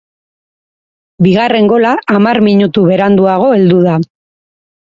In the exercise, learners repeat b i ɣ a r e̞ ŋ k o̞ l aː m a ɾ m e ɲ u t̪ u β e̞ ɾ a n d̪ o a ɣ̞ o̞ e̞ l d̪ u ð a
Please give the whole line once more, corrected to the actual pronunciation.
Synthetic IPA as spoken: b i ɣ a r e̞ ŋ ɡ o̞ l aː m a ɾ m i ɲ u t̪ u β e̞ ɾ a n d̪ u a ɣ̞ o̞ e̞ l d̪ u ð a